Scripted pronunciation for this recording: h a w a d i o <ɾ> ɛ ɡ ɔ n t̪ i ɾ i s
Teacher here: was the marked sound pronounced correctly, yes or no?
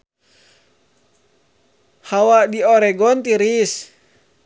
yes